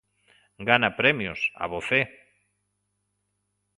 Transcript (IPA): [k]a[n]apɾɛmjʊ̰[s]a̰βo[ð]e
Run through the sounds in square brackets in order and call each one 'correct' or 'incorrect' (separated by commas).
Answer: incorrect, correct, correct, incorrect